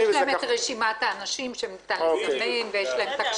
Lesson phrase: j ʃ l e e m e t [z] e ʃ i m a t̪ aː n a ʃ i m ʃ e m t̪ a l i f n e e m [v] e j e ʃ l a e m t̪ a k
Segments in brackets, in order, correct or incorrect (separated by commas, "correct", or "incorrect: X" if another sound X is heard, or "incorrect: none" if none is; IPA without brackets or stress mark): incorrect: ʁ, correct